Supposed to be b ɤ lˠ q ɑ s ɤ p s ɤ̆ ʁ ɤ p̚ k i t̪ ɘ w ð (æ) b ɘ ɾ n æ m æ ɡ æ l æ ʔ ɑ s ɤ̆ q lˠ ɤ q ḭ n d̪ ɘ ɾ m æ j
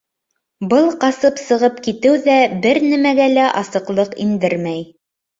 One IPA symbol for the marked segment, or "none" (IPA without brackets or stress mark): æ